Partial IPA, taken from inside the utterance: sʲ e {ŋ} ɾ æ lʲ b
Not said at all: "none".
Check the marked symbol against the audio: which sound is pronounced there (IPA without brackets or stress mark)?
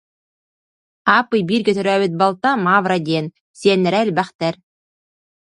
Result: n